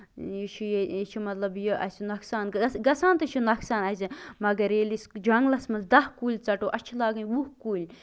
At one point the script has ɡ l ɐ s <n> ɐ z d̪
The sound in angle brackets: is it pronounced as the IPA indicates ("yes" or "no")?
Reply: no